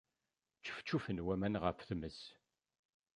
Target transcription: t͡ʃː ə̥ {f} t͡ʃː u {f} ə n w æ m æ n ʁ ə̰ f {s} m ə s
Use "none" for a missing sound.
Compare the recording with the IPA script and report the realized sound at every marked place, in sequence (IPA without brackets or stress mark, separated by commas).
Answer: f, f, θ